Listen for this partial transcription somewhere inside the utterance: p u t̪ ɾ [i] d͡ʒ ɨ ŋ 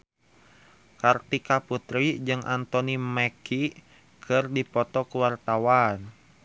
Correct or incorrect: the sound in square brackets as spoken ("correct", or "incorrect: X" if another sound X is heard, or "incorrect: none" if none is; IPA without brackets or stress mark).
correct